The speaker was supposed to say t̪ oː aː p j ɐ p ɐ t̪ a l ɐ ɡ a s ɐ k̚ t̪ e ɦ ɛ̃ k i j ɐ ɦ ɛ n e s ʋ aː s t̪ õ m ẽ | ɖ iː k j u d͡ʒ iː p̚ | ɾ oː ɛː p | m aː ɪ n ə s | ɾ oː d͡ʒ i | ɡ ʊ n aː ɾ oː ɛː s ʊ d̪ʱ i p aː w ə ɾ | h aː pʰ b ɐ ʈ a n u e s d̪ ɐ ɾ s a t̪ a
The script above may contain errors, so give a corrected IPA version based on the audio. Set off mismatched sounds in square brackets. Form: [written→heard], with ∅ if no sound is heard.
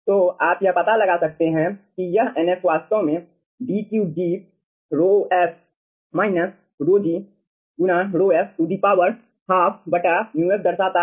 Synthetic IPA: t̪ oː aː p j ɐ p ɐ t̪ a l ɐ ɡ a s ɐ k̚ t̪ e ɦ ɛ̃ k i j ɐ ɦ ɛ n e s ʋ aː s t̪ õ m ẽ | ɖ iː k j u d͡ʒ iː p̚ | ɾ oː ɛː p | m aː ɪ n ə s | ɾ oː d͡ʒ i | ɡ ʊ n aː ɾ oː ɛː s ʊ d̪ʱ i p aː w ə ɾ | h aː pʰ b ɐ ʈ a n u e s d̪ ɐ ɾ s a t̪ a